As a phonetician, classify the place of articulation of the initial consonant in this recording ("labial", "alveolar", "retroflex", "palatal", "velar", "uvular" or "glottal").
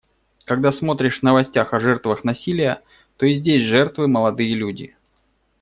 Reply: velar